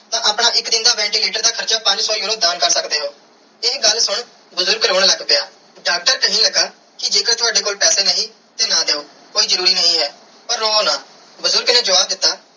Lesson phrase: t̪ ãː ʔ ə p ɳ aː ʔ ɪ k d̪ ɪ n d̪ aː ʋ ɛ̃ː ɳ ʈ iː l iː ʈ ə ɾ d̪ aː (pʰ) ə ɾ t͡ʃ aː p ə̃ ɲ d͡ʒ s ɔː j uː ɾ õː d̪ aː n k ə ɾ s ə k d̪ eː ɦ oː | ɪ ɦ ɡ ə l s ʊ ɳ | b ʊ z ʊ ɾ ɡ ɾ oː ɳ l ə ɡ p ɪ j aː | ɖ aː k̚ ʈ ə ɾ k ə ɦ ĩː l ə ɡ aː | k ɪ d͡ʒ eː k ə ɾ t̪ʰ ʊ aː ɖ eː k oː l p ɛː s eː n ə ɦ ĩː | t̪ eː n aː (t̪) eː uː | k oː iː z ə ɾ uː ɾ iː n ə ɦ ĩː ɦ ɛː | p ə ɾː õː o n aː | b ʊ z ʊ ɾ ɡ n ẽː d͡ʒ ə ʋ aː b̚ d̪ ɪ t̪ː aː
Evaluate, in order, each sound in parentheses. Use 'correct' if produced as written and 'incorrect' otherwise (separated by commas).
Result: incorrect, incorrect